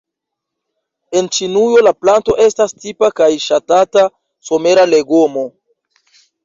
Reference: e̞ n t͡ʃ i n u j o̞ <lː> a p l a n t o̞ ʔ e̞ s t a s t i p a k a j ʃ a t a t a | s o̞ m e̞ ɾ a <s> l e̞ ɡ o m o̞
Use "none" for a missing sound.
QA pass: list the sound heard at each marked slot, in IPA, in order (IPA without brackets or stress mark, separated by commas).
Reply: l, none